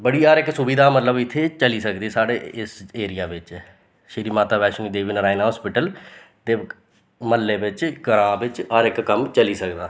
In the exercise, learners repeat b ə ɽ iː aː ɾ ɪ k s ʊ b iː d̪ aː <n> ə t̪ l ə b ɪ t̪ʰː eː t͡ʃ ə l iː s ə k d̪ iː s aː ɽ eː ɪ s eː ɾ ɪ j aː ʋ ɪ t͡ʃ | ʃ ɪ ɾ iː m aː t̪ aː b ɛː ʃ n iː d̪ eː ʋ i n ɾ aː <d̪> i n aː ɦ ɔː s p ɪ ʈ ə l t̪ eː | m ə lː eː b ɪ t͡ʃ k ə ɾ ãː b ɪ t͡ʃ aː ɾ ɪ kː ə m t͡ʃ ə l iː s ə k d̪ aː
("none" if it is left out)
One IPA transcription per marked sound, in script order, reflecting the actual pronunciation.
m, none

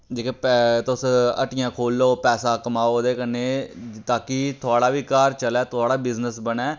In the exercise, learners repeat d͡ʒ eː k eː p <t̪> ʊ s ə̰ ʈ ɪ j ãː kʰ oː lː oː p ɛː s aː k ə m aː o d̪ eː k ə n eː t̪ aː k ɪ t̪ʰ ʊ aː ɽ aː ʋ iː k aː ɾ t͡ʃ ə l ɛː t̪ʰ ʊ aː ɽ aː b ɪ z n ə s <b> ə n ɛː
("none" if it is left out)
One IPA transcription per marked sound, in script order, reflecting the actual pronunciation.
t̪, b

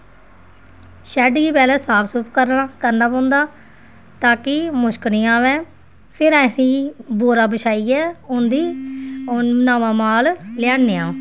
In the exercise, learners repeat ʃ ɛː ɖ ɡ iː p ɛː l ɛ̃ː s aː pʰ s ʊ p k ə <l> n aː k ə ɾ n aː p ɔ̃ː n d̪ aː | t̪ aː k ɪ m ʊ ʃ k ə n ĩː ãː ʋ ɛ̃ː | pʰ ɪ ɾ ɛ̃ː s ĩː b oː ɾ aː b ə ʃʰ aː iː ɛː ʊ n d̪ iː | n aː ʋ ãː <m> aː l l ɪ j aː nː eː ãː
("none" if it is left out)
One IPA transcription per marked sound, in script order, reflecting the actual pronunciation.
ɾ, m

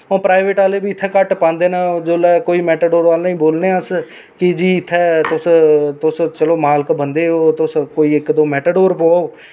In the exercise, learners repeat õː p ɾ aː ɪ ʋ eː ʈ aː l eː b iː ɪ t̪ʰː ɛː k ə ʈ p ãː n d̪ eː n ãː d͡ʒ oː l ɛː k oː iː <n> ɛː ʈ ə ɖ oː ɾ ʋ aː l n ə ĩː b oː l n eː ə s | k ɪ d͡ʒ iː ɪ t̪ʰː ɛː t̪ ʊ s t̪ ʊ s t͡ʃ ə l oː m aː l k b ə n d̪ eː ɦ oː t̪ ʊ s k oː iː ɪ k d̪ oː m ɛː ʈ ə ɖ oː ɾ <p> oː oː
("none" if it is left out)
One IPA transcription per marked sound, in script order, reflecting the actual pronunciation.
m, p

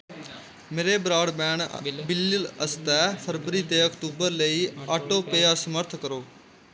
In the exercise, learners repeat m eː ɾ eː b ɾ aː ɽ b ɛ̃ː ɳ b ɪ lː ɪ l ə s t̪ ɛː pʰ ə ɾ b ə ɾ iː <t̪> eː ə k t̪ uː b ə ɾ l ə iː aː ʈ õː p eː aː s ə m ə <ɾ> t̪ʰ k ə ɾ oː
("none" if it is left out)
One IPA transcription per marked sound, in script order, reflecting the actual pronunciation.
t̪, ɾ

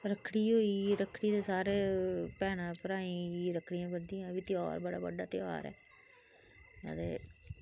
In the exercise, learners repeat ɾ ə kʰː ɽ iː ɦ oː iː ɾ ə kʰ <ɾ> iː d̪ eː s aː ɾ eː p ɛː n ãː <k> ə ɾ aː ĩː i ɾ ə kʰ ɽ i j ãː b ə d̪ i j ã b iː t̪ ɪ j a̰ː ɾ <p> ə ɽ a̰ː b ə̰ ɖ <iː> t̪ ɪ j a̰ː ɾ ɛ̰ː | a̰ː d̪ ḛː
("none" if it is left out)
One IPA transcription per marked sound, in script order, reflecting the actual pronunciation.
ɽ, p, b, aː

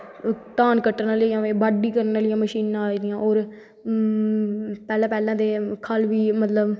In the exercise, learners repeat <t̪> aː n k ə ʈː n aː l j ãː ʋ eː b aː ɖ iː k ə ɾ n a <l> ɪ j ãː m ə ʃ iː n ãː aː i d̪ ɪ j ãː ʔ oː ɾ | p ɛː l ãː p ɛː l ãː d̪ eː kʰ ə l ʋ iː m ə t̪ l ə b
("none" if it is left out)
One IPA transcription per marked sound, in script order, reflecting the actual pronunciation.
t̪, l

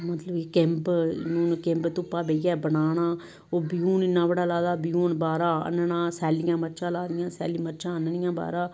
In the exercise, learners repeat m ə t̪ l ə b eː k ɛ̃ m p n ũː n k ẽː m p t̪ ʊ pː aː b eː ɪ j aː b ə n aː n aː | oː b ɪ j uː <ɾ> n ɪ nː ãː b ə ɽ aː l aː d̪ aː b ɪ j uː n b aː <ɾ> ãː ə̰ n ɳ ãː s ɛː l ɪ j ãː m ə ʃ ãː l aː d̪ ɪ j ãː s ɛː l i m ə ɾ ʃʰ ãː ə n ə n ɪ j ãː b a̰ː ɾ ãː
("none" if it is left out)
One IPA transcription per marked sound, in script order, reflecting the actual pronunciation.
none, ɾ

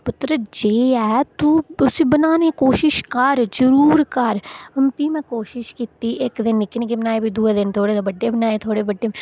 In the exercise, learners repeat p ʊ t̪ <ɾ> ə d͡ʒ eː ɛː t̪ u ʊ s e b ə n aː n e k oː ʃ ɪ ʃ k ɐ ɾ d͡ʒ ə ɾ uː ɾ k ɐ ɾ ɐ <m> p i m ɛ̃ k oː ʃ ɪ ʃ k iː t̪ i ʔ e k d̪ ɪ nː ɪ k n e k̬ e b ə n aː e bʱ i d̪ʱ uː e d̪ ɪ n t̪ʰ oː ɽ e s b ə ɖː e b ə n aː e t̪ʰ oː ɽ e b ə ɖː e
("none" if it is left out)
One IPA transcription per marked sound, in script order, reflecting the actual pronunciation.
ɾ, m

